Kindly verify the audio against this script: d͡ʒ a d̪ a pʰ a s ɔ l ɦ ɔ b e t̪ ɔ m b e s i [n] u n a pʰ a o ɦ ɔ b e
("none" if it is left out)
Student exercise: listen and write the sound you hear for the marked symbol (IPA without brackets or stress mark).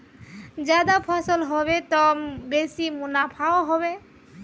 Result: m